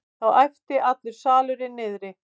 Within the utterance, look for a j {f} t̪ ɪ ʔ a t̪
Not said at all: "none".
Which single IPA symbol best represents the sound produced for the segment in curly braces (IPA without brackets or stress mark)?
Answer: f